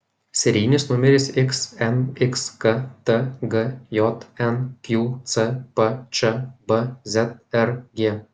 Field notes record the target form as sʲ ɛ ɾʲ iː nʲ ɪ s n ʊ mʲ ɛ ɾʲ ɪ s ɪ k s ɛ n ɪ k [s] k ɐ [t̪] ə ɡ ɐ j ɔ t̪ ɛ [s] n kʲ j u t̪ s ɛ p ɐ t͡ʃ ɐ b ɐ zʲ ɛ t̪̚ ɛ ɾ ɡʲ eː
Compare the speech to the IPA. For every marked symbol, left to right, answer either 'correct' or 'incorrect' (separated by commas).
correct, correct, incorrect